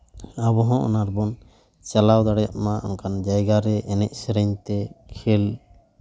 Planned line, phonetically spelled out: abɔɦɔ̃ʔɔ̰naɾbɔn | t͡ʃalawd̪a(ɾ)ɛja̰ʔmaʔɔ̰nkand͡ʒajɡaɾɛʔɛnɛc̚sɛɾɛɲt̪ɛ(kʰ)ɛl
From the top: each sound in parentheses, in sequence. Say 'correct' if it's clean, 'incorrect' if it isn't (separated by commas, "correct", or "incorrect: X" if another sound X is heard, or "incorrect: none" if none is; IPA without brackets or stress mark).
incorrect: ɽ, correct